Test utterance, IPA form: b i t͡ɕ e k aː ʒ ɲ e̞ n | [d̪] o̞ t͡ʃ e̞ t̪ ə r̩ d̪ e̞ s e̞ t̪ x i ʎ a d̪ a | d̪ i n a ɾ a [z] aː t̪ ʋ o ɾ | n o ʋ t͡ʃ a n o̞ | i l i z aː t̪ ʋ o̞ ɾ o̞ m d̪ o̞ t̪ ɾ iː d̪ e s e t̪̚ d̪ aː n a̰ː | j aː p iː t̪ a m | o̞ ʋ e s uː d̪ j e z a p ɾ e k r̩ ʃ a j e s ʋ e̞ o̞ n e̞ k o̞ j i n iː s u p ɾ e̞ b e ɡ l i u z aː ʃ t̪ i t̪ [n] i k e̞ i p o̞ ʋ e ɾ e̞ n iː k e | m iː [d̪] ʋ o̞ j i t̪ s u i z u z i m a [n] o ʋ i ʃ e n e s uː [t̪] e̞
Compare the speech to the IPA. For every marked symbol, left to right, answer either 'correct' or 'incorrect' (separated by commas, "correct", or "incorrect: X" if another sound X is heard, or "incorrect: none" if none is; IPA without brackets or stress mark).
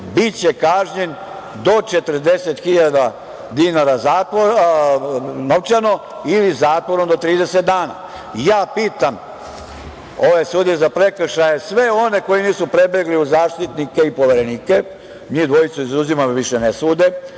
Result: correct, correct, correct, correct, incorrect: m, incorrect: d̪